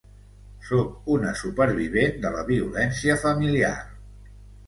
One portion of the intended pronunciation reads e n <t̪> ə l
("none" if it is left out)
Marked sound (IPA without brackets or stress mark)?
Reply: d̪